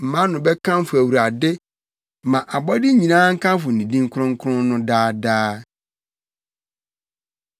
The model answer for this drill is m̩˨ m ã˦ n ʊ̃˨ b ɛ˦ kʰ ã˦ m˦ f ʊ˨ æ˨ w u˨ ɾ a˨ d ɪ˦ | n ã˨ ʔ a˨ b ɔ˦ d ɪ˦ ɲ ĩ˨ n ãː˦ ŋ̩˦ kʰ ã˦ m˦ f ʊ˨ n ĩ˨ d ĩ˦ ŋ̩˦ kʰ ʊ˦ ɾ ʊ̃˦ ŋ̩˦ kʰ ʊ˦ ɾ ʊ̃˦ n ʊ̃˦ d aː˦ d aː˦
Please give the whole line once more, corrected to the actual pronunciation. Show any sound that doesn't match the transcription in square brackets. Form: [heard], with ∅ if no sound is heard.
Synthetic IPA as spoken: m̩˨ m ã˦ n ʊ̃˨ b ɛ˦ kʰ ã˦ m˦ f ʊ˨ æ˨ w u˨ ɾ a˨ d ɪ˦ | [m] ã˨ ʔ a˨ b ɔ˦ d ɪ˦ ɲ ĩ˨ n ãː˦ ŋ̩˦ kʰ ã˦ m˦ f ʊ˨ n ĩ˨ d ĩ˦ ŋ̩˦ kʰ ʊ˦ ɾ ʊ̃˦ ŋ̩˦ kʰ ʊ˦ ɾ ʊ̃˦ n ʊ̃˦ d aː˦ d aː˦